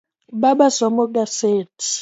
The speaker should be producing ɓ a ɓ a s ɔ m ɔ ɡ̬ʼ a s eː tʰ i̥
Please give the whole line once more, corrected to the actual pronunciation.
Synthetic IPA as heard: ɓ a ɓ a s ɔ m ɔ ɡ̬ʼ a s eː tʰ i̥

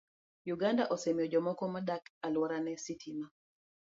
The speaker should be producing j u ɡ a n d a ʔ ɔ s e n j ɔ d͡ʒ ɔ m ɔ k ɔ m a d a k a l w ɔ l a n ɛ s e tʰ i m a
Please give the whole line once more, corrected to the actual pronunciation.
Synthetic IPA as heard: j u ɡ a n d a ʔ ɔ s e m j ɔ d͡ʒ ɔ m ɔ k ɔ m a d a k a l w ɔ ɾ a n ɛ s i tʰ i m a

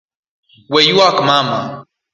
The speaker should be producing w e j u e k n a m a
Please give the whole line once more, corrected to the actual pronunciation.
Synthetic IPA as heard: w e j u a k m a m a

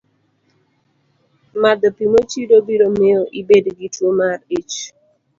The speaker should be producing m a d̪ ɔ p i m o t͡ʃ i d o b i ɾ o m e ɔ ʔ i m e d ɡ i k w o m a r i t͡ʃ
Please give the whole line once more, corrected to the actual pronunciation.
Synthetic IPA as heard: m a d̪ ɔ p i m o t͡ʃ i d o b i ɾ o m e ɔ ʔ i b e d ɡ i t w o m a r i t͡ʃ

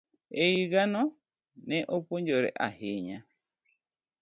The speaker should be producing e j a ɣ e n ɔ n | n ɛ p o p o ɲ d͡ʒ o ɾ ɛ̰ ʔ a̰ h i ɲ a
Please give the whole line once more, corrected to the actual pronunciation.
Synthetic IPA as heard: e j i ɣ a n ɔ | n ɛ ʔ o p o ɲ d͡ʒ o ɾ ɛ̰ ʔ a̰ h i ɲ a

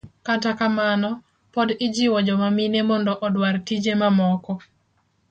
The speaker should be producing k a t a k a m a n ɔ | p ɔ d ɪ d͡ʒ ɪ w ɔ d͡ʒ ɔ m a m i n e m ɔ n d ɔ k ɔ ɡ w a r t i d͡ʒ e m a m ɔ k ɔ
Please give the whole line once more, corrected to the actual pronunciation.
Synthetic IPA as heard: k a t a k a m a n ɔ | p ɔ d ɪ d͡ʒ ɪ w ɔ d͡ʒ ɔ m a m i n e m ɔ n d ɔ ʔ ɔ d w a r t i d͡ʒ e m a m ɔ k ɔ

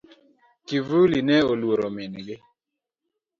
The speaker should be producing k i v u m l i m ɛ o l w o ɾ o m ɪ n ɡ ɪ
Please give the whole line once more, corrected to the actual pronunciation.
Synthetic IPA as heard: k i v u l i n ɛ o l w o ɾ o m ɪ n ɡ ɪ

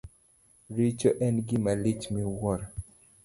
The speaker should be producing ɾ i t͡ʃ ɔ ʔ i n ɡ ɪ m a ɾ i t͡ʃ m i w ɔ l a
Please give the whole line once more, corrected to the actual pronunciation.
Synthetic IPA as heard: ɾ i t͡ʃ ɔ ʔ ɛ n ɡ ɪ m a l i t͡ʃ m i w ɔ ɾ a

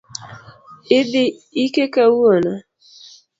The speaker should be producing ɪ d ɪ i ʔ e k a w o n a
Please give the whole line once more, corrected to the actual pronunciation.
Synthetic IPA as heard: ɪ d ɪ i k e k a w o n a

